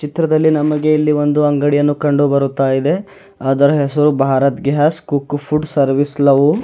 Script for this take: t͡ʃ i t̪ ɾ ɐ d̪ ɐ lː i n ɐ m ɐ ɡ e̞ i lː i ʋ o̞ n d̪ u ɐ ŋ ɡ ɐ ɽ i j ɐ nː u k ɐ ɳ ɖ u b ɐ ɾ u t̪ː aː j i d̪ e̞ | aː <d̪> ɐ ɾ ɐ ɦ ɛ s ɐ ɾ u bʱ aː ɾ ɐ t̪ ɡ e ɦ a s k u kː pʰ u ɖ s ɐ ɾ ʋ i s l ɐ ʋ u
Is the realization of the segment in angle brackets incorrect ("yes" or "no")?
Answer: no